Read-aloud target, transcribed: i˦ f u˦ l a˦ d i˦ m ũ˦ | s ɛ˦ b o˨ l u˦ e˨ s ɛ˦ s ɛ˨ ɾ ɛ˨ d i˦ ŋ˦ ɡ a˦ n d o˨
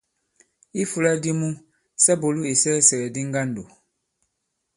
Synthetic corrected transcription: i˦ f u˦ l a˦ d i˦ m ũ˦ | s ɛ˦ b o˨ l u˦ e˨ s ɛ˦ s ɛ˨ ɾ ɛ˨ d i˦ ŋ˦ ɡ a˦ n d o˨